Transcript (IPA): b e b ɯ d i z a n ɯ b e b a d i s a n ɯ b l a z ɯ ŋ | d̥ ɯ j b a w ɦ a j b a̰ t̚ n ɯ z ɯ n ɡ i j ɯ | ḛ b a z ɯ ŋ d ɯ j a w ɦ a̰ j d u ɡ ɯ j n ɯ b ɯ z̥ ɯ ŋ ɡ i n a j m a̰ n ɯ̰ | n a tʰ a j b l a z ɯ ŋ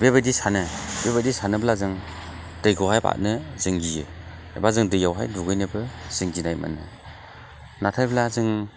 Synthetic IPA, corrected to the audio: b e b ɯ d i s a n ɯ b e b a d i s a n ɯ b l a z ɯ ŋ | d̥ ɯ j ɡ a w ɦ a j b a̰ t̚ n ɯ z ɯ ŋ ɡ i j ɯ | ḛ b a z ɯ ŋ d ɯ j a w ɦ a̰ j d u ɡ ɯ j n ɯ b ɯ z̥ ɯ ŋ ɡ i n a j m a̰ n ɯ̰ | n a tʰ a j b l a z ɯ ŋ